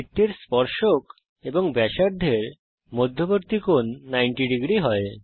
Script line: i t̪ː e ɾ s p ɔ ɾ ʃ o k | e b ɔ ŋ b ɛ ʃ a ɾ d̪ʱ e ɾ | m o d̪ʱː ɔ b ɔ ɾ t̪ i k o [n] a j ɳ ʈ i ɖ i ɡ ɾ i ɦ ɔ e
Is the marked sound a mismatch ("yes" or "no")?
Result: yes